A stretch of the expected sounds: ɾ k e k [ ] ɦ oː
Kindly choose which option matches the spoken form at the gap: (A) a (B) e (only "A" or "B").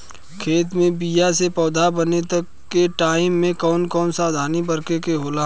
B